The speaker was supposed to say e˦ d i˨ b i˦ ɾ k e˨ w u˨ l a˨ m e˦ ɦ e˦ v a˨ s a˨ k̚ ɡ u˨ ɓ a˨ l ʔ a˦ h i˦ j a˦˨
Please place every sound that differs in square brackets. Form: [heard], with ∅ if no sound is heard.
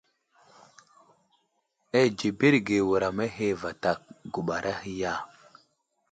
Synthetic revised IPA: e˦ [d͡ʒ] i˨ b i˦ ɾ [ɡ] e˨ w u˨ [ɾ] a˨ m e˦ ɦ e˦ v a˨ [t] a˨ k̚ ɡ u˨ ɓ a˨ [ɾ] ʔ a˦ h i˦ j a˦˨